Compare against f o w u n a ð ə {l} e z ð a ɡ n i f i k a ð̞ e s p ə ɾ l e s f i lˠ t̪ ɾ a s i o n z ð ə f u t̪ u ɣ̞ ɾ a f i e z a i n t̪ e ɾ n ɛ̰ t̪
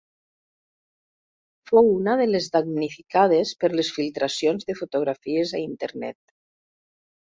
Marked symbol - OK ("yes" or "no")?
yes